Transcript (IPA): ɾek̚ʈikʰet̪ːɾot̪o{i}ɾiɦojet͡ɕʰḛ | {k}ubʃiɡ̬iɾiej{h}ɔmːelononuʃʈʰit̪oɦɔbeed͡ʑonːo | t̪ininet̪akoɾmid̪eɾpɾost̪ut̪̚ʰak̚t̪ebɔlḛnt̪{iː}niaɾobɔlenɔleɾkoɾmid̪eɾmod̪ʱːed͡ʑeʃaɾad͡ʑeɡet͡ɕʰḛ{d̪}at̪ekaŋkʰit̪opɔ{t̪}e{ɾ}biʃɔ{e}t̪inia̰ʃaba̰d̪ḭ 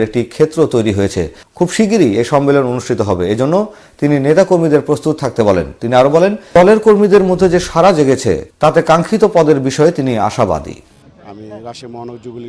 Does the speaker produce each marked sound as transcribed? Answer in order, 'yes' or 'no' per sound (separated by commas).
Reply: no, no, no, no, no, no, yes, yes